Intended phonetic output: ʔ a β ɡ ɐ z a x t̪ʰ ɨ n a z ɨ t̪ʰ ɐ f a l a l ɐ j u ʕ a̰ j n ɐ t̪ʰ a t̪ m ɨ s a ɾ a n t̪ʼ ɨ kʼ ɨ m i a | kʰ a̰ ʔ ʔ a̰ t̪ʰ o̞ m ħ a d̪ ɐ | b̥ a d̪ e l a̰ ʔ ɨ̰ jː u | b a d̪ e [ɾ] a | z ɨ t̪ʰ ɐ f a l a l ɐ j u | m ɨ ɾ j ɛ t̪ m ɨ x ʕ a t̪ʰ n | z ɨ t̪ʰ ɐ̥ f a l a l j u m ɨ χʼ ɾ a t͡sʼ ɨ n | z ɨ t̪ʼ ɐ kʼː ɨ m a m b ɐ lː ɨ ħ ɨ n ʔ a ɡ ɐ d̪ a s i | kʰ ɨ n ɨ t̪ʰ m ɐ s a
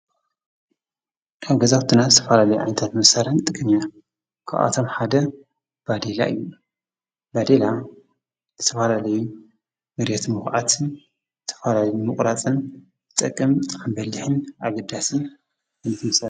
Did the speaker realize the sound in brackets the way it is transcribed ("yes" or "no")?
no